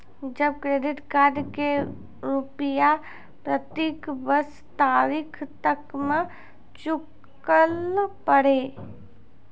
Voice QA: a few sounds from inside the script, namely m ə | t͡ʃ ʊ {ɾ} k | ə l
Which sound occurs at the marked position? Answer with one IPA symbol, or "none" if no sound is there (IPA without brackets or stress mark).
none